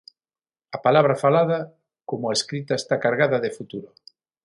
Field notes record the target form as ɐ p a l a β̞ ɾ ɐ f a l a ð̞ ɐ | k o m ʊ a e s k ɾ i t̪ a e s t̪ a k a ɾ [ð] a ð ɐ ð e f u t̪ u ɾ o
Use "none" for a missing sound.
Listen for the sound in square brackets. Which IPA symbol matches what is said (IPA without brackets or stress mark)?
ɣ